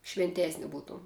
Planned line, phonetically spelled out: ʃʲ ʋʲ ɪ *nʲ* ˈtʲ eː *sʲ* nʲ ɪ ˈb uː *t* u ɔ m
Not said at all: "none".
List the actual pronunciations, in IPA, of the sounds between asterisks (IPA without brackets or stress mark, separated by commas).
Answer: nʲ, sʲ, t